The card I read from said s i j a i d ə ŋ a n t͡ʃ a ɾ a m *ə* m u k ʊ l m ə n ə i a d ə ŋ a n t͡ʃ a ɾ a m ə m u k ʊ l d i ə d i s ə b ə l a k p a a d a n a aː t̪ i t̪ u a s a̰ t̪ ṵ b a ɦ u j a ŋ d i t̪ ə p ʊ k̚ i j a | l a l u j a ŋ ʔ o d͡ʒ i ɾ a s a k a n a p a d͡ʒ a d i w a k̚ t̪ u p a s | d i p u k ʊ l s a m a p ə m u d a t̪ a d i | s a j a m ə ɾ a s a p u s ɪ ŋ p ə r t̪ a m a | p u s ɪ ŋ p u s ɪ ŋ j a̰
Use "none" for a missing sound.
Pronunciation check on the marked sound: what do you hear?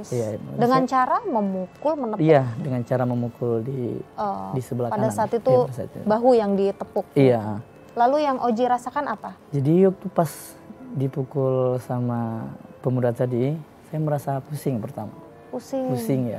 ə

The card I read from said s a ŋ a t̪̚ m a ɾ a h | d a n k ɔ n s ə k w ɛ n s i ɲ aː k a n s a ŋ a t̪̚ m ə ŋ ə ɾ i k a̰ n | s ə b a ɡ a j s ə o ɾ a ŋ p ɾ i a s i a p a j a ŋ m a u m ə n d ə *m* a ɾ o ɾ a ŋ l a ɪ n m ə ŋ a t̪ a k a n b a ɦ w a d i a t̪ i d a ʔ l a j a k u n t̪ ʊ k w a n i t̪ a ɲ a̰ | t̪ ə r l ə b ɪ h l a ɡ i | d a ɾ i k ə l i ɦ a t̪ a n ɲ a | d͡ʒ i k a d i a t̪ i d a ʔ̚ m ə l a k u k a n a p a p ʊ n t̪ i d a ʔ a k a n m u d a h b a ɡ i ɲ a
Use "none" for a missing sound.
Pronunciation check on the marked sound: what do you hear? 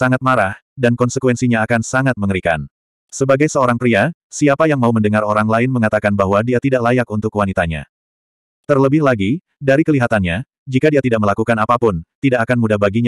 ŋ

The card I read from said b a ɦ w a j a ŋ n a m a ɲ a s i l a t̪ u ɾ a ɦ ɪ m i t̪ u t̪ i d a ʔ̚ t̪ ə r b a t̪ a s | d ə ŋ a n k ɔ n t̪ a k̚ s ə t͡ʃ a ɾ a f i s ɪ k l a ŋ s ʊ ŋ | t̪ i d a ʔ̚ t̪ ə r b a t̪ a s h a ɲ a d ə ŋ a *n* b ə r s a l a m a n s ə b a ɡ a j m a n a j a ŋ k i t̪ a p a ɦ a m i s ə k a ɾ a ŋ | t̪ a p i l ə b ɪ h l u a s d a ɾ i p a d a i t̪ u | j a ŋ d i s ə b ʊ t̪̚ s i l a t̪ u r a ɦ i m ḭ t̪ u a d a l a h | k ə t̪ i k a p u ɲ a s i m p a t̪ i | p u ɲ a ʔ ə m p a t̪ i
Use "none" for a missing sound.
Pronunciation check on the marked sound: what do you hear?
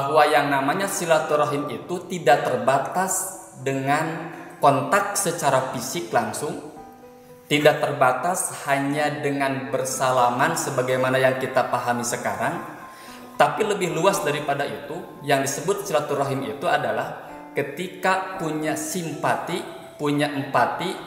n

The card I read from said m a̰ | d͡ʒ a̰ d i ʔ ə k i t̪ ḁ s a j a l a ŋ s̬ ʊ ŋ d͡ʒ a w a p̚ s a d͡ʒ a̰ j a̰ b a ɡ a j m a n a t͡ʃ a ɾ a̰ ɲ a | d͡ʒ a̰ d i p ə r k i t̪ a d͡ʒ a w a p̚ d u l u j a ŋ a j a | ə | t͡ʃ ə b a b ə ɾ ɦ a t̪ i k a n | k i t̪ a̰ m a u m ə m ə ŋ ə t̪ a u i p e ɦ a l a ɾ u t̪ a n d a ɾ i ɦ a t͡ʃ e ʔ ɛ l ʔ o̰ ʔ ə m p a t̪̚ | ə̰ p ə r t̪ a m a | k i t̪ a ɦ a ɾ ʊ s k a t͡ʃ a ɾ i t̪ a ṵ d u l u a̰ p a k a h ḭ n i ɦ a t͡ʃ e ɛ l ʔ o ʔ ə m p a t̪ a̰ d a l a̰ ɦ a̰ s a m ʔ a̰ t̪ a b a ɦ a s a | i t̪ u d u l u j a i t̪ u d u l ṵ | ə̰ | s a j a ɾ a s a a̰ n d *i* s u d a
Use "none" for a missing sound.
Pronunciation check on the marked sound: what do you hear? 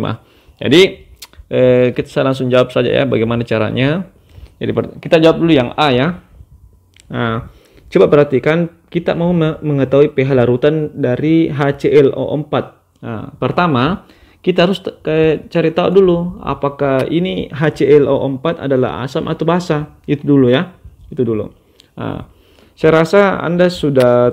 a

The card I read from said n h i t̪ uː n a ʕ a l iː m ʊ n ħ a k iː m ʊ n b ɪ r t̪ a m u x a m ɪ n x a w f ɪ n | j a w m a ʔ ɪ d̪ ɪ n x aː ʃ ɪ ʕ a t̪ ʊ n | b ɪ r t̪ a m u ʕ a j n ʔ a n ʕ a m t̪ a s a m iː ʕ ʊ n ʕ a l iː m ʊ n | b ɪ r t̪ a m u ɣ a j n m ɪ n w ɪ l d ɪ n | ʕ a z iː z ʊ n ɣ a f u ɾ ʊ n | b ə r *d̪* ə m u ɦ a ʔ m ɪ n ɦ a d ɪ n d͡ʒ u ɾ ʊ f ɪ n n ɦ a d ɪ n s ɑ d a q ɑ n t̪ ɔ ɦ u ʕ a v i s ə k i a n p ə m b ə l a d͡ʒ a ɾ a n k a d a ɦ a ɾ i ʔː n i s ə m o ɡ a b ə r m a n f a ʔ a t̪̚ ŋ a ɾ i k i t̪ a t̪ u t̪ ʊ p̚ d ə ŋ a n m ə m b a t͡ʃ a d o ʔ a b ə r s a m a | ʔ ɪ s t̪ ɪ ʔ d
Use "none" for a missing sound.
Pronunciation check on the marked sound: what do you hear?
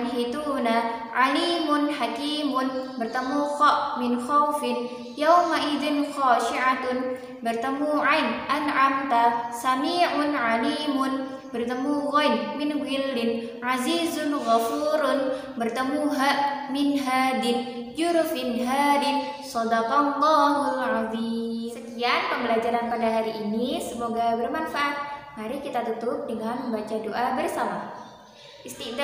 t̪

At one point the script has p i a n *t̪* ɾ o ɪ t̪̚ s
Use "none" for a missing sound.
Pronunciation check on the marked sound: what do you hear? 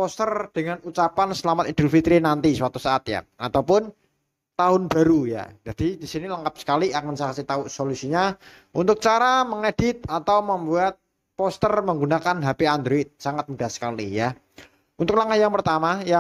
d̪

